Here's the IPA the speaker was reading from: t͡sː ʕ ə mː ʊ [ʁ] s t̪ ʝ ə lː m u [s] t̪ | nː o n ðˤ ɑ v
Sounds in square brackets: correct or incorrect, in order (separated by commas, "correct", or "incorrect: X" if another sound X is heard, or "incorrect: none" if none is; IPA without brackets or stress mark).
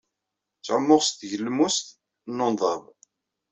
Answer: correct, correct